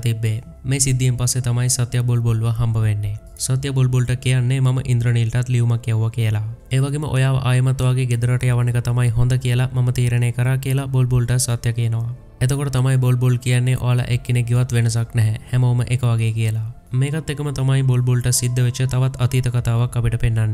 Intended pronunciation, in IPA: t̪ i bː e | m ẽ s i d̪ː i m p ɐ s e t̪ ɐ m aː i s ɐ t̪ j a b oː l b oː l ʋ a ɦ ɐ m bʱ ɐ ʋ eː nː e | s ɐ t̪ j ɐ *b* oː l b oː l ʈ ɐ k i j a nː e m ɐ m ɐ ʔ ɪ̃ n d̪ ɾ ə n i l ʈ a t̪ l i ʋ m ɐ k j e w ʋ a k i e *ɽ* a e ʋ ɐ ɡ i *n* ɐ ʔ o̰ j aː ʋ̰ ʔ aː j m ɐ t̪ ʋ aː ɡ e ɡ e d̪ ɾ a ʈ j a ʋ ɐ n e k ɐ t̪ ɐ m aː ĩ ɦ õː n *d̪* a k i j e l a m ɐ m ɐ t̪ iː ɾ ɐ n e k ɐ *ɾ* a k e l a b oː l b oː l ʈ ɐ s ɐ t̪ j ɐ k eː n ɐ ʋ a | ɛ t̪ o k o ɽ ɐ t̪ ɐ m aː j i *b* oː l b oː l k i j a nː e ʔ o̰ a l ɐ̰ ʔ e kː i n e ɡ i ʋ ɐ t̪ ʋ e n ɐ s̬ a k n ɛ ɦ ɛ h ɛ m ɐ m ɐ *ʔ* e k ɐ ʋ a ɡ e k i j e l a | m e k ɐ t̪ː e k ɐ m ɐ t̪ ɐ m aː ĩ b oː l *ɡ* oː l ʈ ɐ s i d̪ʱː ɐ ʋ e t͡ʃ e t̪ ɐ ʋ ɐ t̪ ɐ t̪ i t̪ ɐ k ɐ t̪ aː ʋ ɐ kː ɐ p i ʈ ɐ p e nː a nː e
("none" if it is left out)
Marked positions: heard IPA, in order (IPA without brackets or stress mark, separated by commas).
b, l, m, d̪, ɾ, b, ʔ, b